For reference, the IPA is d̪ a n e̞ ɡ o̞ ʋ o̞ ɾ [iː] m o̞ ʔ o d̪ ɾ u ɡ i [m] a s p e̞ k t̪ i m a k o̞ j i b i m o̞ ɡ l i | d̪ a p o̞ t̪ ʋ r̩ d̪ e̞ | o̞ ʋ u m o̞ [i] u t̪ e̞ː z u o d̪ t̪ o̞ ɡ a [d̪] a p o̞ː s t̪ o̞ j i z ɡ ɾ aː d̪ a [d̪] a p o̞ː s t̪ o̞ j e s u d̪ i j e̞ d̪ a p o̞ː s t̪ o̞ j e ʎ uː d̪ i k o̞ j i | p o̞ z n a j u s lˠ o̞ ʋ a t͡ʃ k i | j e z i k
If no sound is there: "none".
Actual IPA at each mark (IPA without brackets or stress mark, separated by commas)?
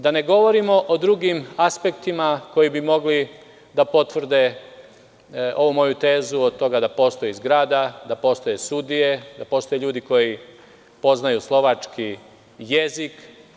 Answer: i, m, j, d̪, d̪